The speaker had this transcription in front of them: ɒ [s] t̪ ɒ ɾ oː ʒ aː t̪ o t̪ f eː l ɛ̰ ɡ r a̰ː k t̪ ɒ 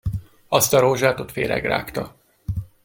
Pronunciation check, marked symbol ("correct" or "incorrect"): correct